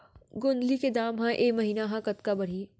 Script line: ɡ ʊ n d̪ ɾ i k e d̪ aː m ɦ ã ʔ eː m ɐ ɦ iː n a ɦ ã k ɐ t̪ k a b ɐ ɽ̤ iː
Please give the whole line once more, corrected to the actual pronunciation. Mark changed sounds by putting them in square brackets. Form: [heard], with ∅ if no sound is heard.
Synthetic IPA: ɡ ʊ n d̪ [l] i k e d̪ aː m ɦ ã ʔ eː m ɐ ɦ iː n a ɦ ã k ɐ t̪ k a b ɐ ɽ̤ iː